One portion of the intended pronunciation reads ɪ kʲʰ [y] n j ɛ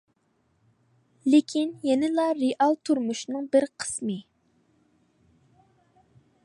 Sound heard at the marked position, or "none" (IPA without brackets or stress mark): i